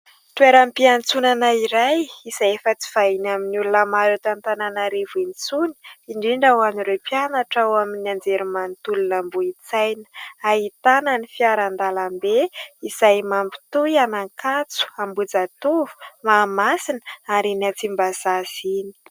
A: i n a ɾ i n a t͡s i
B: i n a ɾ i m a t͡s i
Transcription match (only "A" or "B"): A